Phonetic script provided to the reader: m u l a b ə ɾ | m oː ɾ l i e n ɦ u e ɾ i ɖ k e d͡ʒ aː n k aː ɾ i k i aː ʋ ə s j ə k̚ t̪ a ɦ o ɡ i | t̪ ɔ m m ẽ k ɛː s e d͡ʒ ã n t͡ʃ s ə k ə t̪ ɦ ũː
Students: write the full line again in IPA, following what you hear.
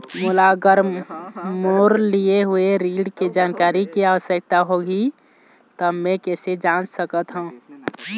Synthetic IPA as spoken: m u l a ɡ ə ɾ | m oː ɾ l i e ɦ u e ɾ i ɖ k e d͡ʒ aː n k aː ɾ i k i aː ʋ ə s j ə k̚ t̪ a ɦ o ɡ i | t̪ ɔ m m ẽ k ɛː s e d͡ʒ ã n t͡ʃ s ə k ə t̪ ɦ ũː